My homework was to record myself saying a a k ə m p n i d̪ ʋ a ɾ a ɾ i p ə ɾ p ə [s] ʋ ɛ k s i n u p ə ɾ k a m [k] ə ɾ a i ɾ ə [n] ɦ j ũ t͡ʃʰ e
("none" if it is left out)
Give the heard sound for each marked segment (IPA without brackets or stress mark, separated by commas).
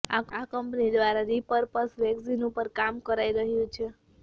s, k, none